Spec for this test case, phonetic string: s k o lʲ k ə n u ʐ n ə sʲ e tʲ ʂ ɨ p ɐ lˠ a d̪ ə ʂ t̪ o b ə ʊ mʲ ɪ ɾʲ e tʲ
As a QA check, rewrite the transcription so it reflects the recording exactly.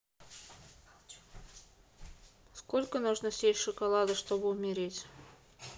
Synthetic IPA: s k o lʲ k ə n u ʐ n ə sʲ e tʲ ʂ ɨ k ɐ lˠ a d̪ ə ʂ t̪ o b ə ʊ mʲ ɪ ɾʲ e tʲ